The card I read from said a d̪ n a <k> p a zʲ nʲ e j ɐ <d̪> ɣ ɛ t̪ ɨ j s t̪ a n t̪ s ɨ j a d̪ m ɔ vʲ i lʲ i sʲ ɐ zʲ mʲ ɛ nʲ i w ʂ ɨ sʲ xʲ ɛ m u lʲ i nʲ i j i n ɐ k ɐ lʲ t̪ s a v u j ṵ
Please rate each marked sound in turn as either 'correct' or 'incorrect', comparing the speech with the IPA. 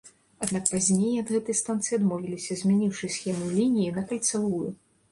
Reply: correct, correct

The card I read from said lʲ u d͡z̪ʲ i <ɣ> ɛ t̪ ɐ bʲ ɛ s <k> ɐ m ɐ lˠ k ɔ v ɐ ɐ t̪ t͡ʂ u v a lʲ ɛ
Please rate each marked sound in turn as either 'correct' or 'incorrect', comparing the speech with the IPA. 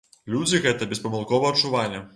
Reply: correct, incorrect: p

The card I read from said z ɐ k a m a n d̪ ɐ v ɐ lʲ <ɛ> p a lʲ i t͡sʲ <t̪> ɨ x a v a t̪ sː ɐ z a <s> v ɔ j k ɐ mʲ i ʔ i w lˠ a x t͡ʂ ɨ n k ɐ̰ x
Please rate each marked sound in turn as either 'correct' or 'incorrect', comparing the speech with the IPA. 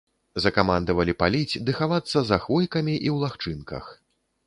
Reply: incorrect: i, incorrect: d̪, incorrect: x

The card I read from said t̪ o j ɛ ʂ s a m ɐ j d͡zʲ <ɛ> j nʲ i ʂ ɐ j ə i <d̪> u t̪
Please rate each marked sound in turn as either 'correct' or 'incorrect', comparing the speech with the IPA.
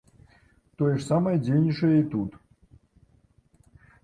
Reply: incorrect: e, incorrect: t̪

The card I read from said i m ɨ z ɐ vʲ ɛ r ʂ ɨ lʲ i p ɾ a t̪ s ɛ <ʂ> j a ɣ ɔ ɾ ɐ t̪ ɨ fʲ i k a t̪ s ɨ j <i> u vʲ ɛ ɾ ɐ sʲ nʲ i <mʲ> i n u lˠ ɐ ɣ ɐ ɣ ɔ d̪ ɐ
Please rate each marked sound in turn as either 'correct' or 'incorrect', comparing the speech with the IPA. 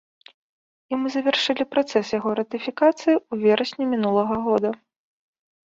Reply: incorrect: s, correct, correct

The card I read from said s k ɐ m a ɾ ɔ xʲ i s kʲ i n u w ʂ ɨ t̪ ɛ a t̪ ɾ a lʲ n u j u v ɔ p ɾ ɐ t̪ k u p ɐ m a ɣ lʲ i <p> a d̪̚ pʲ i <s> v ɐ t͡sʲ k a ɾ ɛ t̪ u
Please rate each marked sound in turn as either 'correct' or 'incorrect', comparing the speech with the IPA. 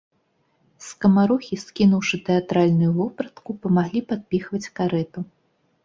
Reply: correct, incorrect: x

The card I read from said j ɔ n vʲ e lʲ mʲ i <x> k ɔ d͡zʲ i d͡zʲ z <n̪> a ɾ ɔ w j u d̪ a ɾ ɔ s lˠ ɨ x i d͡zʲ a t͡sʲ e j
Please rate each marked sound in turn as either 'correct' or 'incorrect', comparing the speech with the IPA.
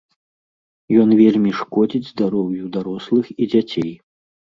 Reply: incorrect: ʂ, incorrect: d̪

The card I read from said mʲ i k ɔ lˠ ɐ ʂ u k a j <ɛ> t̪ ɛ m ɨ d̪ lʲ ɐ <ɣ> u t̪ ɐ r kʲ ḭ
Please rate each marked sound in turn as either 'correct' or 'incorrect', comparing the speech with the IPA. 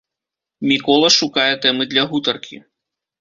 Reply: correct, correct

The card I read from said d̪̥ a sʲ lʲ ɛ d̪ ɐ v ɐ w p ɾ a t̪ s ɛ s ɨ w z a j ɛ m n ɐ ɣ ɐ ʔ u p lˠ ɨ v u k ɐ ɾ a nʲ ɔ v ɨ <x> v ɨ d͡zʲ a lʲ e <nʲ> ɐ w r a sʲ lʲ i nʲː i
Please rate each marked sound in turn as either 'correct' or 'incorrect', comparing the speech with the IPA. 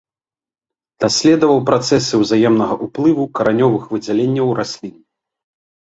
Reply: correct, incorrect: nʲː

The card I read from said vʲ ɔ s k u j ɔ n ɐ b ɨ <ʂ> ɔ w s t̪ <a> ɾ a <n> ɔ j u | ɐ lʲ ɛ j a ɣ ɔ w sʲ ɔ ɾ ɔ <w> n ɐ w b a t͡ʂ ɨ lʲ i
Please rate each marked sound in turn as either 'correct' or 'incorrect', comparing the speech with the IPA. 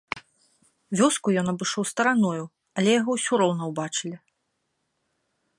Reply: correct, incorrect: ɐ, correct, correct

